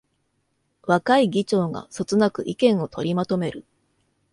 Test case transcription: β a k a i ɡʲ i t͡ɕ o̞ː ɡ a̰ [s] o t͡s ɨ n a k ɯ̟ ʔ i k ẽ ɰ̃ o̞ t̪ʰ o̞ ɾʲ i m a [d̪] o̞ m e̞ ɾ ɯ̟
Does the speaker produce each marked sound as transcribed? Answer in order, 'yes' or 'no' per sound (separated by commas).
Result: yes, no